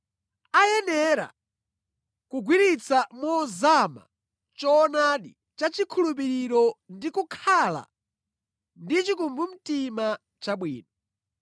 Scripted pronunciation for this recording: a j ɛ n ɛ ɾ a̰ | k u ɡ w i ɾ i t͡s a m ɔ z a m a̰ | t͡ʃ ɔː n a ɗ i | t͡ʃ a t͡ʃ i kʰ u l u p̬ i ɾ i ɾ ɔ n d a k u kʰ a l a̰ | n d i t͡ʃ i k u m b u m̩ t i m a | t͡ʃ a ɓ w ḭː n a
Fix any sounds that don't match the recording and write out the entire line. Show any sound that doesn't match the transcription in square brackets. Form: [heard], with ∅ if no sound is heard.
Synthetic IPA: a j ɛ n ɛ ɾ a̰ | k u ɡ w i ɾ i t͡s a m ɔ z a m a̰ | t͡ʃ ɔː n a ɗ i | t͡ʃ a t͡ʃ i kʰ u l u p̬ i ɾ i ɾ ɔ n d [i] k u kʰ a l a̰ | n d i t͡ʃ i k u m b u m̩ t i m a | t͡ʃ a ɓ w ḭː n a